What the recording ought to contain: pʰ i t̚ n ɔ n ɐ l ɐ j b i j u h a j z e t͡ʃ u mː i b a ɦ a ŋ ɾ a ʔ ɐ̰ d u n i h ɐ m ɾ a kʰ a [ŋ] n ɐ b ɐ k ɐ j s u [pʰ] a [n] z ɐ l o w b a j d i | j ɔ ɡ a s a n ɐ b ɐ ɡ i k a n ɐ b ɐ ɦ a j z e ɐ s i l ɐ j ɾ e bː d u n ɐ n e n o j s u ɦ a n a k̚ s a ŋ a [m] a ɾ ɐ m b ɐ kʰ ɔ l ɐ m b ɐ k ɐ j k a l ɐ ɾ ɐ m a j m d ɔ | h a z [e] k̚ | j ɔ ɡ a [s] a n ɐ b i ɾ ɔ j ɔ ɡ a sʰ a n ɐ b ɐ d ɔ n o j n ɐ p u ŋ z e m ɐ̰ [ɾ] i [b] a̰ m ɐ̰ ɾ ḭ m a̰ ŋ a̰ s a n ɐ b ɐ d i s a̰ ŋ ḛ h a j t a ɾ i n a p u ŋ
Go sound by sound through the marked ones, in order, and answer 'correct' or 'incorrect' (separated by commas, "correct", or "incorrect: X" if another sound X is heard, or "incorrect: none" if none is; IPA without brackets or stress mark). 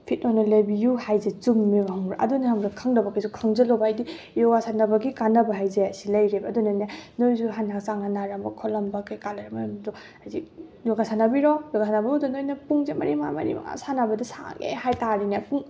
correct, incorrect: kʰ, incorrect: ŋ, incorrect: n, incorrect: i, correct, correct, incorrect: m